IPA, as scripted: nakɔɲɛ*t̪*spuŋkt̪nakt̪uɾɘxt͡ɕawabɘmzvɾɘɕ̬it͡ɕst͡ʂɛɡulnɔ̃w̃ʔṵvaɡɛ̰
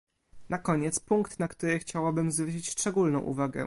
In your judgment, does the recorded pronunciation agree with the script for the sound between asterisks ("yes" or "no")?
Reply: yes